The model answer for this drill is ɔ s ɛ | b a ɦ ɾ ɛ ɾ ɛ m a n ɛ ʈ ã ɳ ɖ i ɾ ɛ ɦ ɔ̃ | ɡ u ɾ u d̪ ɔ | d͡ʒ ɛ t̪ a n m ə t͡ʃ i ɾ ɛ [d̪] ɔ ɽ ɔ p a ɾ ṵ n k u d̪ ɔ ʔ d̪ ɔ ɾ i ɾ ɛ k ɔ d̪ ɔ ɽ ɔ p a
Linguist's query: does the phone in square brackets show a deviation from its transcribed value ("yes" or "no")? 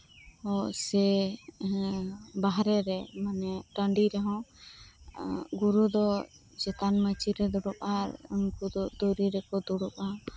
no